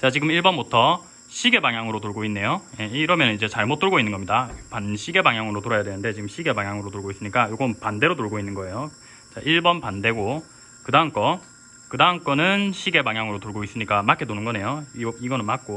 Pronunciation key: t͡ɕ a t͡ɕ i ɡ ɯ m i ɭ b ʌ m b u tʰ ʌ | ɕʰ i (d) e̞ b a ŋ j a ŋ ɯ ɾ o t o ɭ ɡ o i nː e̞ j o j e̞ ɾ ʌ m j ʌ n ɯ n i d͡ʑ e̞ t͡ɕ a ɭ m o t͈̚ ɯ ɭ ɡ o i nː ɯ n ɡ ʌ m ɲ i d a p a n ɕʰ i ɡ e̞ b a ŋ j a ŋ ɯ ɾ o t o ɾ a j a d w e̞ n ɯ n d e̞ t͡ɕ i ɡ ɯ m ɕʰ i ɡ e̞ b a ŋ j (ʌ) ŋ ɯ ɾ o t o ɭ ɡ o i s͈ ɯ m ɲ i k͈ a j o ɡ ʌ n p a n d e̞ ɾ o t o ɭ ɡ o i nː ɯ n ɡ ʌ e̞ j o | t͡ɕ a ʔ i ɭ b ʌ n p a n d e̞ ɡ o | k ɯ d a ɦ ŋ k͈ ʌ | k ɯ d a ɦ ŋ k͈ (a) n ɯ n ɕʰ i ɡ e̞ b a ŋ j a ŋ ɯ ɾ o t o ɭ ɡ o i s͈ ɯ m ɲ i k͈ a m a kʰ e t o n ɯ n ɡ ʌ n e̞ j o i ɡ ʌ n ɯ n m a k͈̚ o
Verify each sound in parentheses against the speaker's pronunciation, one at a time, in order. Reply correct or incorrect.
incorrect, incorrect, incorrect

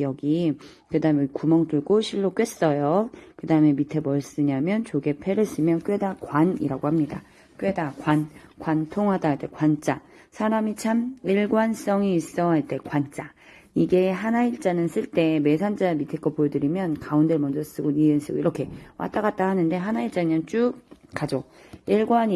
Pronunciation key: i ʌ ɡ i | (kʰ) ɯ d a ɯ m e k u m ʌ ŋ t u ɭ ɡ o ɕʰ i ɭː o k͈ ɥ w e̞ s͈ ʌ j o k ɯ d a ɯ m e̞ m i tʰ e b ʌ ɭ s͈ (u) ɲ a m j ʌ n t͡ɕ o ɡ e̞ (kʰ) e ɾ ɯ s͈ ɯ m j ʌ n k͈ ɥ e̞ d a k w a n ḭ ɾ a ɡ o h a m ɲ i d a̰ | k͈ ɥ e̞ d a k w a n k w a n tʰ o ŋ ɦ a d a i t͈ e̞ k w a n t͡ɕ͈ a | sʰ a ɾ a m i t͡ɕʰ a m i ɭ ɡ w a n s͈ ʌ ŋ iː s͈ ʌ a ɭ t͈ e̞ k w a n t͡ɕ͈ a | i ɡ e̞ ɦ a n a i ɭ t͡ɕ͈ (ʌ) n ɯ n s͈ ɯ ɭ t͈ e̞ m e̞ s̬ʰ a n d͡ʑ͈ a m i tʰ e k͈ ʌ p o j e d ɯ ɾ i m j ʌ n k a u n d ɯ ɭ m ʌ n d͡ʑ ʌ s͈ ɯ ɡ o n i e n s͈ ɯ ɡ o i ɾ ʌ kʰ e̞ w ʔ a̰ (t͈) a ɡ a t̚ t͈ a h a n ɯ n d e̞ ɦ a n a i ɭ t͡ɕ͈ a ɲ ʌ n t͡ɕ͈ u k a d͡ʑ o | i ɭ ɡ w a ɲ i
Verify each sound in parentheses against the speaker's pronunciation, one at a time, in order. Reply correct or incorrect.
incorrect, incorrect, incorrect, incorrect, correct

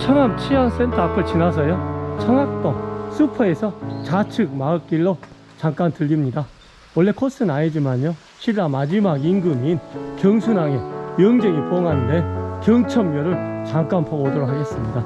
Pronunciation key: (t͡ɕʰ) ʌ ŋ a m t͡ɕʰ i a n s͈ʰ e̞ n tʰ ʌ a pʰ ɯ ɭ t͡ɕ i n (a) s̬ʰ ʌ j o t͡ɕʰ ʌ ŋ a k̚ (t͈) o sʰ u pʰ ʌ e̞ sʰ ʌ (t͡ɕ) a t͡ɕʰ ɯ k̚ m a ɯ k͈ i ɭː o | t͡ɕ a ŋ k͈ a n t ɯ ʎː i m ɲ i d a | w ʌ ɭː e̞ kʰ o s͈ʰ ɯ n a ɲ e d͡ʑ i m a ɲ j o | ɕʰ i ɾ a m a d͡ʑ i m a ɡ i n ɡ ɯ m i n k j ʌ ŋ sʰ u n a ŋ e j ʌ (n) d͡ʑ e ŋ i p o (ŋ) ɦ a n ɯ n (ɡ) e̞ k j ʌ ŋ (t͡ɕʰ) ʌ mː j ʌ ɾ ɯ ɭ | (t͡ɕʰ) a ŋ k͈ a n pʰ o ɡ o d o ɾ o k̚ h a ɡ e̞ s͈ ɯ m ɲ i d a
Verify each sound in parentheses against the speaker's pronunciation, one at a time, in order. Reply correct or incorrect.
correct, correct, correct, correct, incorrect, correct, incorrect, correct, incorrect

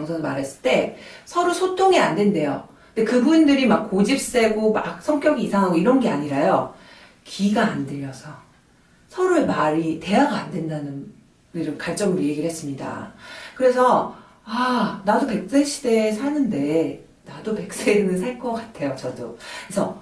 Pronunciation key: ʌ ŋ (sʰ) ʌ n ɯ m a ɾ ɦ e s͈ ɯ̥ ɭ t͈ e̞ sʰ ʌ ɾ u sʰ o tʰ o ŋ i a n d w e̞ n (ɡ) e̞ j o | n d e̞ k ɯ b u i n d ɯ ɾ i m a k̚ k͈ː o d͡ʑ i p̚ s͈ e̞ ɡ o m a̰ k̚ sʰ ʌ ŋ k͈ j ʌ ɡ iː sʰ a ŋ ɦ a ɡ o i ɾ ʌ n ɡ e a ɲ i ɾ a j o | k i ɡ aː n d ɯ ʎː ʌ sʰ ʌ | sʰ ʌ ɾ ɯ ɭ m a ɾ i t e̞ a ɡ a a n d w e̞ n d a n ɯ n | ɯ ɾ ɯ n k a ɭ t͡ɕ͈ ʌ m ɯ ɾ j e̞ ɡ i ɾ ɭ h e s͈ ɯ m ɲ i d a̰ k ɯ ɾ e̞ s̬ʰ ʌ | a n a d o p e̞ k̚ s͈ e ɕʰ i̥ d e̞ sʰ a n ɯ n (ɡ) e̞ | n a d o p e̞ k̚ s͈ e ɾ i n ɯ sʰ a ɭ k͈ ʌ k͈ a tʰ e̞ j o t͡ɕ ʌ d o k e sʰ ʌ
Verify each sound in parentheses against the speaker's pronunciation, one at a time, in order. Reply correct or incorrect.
correct, incorrect, incorrect

